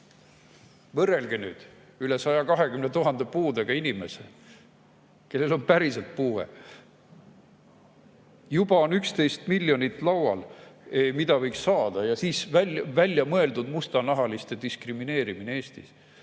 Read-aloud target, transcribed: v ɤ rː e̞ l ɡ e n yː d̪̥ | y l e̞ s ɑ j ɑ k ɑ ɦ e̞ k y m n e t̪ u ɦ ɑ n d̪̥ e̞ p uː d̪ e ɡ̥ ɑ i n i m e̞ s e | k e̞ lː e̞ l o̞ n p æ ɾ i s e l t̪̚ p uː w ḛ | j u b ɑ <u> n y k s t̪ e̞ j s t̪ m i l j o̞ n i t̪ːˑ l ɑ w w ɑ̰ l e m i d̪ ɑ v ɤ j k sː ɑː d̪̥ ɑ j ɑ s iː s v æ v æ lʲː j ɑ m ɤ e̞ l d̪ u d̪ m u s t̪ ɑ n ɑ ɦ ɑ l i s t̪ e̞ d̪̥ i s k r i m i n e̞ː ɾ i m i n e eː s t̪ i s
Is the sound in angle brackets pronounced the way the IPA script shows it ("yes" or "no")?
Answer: no